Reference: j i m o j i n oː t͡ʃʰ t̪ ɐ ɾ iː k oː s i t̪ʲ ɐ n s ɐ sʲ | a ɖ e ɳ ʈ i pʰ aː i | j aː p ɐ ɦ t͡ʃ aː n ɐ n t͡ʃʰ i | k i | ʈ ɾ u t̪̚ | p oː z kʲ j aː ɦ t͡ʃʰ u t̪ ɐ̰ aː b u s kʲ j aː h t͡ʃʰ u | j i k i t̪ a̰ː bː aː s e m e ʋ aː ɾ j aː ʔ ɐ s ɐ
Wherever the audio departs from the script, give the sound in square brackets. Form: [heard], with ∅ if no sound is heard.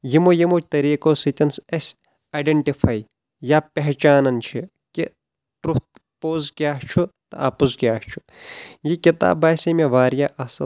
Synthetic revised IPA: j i m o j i [m] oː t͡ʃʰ t̪ ɐ ɾ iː k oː s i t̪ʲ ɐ n s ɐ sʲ | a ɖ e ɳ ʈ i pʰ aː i | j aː p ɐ ɦ t͡ʃ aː n ɐ n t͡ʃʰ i | k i | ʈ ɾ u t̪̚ | p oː z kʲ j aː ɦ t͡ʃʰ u t̪ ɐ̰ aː [p] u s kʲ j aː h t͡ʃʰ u | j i k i t̪ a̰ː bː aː s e m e ʋ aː ɾ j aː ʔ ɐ s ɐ